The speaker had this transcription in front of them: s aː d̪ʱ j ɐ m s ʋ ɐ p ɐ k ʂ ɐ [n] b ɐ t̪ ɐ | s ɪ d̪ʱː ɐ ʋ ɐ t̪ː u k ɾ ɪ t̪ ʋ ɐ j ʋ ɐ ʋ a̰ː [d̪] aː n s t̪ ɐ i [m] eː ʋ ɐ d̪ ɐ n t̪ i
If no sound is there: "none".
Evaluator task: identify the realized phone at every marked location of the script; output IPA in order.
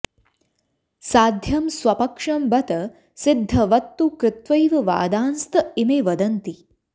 m, d̪, m

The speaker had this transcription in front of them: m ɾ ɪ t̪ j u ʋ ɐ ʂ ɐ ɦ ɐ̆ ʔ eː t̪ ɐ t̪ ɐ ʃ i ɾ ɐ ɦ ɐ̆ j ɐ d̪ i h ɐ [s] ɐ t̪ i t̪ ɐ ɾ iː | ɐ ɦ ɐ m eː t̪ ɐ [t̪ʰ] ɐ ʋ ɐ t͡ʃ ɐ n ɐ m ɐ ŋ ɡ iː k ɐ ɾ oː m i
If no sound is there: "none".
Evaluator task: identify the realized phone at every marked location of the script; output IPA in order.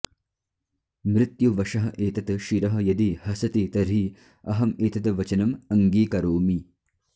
s, t̪

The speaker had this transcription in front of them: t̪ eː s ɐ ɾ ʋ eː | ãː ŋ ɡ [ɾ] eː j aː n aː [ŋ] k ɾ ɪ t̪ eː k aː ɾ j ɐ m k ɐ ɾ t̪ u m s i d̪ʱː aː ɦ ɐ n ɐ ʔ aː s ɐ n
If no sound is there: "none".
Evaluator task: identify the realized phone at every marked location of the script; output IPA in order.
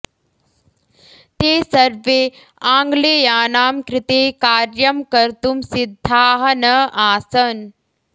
l, m

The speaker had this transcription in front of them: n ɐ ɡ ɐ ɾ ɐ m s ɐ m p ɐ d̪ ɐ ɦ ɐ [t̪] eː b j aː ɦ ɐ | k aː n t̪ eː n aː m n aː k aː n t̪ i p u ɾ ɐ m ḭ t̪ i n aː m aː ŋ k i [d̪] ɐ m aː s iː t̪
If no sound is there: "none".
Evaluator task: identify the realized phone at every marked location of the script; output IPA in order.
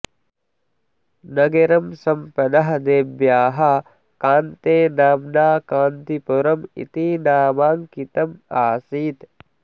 d̪, t̪

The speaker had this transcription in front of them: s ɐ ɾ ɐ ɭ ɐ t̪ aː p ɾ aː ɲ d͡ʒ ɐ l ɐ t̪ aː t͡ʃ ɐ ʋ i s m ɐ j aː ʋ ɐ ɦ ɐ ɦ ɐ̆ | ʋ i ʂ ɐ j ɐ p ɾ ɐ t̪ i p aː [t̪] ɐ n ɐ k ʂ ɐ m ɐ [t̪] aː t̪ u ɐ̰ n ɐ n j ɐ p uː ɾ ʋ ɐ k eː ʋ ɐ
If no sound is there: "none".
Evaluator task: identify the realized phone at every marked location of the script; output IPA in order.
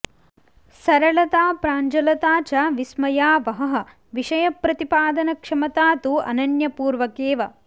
d̪, t̪

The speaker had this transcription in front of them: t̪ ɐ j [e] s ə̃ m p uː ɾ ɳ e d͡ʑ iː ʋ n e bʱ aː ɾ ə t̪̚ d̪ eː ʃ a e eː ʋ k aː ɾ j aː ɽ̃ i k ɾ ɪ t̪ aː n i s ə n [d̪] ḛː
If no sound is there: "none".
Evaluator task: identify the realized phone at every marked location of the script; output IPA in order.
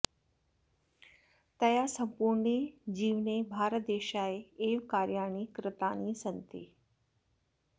a, t̪

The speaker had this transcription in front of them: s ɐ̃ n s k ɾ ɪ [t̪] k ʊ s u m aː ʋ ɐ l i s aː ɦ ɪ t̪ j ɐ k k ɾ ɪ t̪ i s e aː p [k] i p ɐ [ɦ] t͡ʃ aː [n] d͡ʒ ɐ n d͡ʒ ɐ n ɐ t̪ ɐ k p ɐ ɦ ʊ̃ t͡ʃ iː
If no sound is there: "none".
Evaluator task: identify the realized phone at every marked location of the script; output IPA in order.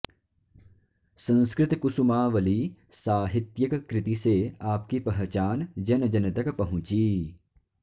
t̪, k, ɦ, n

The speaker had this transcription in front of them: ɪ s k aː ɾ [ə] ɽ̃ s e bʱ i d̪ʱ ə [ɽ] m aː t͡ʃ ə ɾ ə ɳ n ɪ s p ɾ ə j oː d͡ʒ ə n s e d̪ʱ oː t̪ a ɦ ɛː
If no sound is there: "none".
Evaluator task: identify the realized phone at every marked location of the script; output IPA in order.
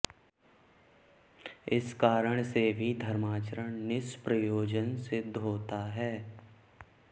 ə, ɾ

